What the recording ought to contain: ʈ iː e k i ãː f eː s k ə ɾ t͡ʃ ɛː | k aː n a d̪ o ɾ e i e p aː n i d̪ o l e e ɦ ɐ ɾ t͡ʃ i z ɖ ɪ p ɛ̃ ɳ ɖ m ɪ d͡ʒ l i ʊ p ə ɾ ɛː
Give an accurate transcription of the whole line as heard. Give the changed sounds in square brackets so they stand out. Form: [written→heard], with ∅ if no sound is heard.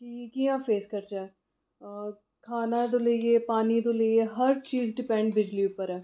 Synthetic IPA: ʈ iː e k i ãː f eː s k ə ɾ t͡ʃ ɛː | [k→kʰ] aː n a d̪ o [ɾ→l] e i e p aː n i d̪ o l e e ɦ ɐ ɾ t͡ʃ [i→iː] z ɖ ɪ p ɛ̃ ɳ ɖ [m→b] ɪ d͡ʒ l i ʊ p ə ɾ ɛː